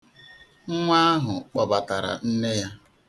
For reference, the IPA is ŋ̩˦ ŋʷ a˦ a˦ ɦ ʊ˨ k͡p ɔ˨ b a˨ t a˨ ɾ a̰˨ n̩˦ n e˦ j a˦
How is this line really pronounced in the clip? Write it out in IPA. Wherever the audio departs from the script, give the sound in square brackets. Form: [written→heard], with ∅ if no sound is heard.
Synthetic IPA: ŋ̩˦ ŋʷ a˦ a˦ ɦ ʊ˨ k͡p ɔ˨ b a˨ t a˨ ɾ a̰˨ n̩˦ n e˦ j a˦

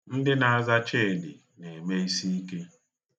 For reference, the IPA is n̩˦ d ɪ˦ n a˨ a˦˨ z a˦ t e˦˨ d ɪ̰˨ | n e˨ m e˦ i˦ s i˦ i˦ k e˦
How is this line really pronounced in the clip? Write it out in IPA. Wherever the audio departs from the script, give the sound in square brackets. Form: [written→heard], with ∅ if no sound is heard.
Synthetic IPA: n̩˦ d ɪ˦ n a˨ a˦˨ z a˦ [t→t͡ʃ] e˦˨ d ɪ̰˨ | n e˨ m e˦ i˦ s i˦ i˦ k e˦

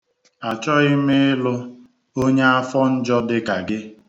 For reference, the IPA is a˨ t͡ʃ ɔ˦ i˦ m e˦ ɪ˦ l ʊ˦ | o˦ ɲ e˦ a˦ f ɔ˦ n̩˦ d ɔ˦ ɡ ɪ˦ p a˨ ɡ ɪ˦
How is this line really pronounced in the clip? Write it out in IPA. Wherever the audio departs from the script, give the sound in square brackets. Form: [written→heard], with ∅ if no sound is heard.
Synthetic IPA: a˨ t͡ʃ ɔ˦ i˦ m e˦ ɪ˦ l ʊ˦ | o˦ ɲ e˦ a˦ f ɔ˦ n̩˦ [d→d͡ʒ] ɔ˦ [ɡ→d] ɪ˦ [p→k] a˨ ɡ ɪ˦

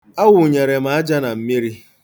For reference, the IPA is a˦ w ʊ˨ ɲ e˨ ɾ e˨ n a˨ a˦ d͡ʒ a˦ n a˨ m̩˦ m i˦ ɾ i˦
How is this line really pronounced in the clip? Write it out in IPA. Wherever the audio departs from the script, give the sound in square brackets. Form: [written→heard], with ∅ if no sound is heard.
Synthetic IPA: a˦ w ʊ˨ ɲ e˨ ɾ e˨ [n→m] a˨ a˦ d͡ʒ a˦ n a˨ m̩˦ m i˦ ɾ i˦

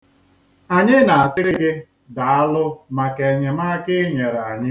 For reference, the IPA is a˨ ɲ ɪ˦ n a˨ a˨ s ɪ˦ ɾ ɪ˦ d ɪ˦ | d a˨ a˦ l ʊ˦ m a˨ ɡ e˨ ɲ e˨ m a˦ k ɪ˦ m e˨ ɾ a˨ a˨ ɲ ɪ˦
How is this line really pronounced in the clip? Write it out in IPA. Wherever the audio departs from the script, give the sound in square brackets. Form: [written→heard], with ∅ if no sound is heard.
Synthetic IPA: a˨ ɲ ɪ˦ n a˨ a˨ s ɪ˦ ɾ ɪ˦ [d→ɡ] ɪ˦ | d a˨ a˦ l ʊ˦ m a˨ [ɡ→k] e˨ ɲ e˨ m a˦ k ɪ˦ [m→ɲ] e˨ ɾ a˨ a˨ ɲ ɪ˦

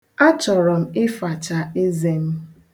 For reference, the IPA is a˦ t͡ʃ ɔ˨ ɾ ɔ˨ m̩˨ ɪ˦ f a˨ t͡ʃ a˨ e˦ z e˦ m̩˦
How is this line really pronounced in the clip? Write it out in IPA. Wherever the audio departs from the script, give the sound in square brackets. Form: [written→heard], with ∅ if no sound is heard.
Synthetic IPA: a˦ t͡ʃ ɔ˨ ɾ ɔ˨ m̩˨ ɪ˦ f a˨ t͡ʃ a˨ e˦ z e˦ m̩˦

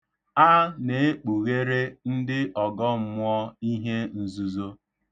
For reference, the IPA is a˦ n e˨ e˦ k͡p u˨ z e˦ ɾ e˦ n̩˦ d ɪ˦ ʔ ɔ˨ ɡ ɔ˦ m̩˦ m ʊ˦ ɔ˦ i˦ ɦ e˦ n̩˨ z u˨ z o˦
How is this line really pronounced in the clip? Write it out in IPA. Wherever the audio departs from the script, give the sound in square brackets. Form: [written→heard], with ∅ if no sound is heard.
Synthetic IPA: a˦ n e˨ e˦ k͡p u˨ [z→ɣ] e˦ ɾ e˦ n̩˦ d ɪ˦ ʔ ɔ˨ ɡ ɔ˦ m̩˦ m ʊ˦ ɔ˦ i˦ ɦ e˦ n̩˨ z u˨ z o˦

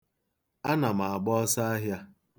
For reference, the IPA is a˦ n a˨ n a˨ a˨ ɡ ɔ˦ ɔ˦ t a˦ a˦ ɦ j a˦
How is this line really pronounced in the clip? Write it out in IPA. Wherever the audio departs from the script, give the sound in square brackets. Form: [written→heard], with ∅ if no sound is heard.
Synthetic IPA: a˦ n a˨ [n→m] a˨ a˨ [ɡ→ɡ͡b] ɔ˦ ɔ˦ [t→s] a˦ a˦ ɦ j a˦

